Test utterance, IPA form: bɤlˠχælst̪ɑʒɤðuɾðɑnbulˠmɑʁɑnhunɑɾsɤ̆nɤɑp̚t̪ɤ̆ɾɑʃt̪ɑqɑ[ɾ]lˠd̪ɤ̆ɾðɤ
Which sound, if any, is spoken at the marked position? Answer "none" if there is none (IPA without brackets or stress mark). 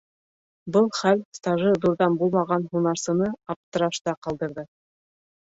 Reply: none